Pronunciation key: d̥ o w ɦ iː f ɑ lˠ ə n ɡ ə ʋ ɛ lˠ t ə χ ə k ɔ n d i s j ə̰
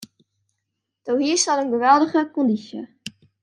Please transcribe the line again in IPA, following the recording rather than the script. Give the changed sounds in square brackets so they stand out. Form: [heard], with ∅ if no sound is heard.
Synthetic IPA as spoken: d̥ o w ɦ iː [s] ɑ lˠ ə n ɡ ə ʋ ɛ lˠ [d] ə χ ə k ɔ n d i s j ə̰